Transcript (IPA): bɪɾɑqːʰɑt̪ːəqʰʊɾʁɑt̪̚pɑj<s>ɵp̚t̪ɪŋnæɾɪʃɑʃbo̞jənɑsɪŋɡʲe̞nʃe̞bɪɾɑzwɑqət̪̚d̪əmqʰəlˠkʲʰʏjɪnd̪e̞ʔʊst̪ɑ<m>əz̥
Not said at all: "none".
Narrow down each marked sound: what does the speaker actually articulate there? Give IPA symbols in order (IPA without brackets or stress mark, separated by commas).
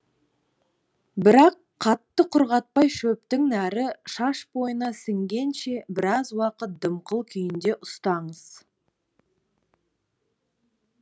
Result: ʃ, ɴ